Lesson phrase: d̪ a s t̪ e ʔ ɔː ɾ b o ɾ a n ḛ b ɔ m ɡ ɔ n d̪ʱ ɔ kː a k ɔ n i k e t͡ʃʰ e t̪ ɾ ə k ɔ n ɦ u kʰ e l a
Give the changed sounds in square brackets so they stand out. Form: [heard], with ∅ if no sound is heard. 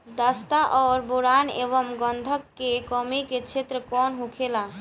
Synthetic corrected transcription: d̪ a s t̪ [a] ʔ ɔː ɾ b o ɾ a n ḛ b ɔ m ɡ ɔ n d̪ʱ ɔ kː [e] k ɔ [m] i k e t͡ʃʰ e t̪ ɾ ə k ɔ n ɦ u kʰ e l a